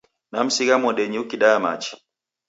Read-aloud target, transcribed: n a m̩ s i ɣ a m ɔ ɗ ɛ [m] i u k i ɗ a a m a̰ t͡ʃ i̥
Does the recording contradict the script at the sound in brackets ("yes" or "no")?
yes